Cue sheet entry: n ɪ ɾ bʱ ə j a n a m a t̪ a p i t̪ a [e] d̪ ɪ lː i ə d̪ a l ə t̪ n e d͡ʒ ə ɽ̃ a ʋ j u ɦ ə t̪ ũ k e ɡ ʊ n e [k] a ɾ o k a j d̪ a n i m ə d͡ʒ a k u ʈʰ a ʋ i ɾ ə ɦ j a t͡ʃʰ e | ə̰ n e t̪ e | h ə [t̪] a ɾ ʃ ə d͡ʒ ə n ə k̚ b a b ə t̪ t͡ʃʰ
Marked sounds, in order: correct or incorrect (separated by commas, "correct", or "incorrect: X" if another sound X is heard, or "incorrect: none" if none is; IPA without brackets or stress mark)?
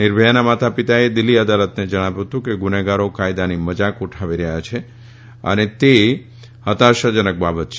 correct, incorrect: ɡ, correct